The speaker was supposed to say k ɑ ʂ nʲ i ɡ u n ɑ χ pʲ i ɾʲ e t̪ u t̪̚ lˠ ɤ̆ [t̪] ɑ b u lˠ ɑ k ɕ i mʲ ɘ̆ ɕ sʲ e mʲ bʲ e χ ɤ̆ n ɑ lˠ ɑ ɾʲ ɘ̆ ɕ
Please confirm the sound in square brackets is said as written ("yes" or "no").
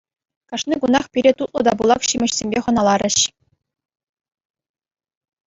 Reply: no